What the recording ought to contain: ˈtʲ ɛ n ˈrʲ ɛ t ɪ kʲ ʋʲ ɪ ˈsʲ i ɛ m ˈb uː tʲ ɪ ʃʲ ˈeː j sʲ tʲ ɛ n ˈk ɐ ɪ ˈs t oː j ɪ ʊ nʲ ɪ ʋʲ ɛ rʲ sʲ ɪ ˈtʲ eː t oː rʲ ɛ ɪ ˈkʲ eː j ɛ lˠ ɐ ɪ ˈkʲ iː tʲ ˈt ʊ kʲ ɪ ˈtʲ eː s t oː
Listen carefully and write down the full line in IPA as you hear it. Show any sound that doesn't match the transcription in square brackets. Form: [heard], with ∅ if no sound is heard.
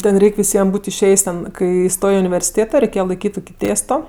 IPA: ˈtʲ ɛ n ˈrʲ ɛ [∅] ɪ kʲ ʋʲ ɪ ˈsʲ i ɛ m ˈb uː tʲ ɪ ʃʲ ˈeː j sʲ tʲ ɛ n ˈk ɐ ɪ ˈs t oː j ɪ ʊ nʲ ɪ ʋʲ ɛ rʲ sʲ ɪ ˈtʲ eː t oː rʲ ɛ ɪ ˈkʲ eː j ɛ lˠ ɐ ɪ ˈkʲ iː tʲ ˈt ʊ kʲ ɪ ˈtʲ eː s t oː